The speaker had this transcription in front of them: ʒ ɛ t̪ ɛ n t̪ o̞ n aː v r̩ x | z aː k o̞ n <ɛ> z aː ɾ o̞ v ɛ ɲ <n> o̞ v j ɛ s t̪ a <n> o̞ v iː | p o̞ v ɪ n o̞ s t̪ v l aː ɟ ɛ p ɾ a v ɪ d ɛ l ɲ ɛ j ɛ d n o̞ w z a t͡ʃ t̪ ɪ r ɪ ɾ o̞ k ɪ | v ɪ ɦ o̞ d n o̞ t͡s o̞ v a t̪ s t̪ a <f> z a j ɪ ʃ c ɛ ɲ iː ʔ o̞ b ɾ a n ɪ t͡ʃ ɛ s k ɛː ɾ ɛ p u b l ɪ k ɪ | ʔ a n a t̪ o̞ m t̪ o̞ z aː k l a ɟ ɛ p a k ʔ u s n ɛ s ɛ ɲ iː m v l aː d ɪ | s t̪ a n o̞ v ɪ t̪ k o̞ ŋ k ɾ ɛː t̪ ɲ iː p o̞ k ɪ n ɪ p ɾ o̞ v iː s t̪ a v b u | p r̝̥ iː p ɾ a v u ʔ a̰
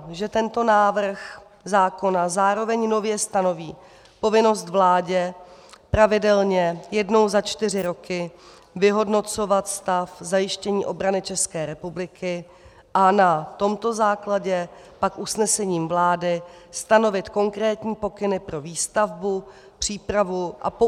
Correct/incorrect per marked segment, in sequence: incorrect, correct, correct, correct

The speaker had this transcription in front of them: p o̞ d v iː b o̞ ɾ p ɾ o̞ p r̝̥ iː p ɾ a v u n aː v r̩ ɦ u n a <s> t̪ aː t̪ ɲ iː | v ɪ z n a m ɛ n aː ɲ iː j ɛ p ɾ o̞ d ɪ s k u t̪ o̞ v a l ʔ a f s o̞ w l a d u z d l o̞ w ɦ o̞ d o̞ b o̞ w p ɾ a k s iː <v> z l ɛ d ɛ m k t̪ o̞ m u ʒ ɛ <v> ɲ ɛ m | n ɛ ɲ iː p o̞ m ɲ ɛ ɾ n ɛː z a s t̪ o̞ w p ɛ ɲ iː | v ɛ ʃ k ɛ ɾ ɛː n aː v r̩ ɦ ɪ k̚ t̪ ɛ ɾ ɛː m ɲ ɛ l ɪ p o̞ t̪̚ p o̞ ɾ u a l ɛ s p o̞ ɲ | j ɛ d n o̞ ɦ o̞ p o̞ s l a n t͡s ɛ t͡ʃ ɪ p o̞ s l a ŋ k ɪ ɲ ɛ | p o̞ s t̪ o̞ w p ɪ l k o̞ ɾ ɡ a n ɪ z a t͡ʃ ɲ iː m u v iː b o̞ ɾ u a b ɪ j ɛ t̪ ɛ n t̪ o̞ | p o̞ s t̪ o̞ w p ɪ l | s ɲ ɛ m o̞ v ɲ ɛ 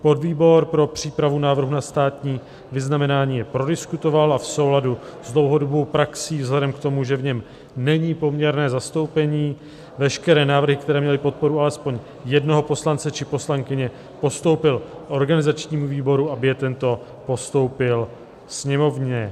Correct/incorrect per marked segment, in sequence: correct, correct, correct

